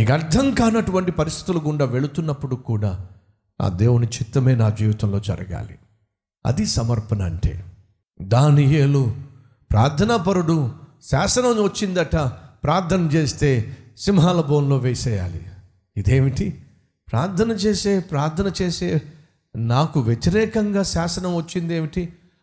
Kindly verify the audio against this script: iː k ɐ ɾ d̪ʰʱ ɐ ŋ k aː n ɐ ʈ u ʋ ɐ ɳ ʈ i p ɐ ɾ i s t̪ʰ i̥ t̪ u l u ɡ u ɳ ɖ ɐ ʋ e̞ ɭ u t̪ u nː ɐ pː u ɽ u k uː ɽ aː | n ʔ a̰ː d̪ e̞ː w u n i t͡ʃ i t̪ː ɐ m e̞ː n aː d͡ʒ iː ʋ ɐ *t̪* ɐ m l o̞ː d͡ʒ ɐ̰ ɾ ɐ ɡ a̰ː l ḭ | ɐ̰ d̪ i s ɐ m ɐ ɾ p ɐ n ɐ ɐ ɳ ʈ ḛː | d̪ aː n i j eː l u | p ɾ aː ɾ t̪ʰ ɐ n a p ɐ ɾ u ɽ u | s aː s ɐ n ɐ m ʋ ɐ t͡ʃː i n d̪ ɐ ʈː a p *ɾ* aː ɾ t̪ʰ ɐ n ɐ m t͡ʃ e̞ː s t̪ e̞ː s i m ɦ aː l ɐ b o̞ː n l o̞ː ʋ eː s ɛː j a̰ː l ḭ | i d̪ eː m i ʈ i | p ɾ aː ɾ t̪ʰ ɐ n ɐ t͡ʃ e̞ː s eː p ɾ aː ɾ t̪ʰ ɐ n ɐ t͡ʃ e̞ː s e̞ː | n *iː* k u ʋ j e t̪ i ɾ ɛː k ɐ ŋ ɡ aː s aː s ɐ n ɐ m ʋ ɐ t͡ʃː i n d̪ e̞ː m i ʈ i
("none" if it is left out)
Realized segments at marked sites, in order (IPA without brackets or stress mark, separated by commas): t̪, ɾ, aː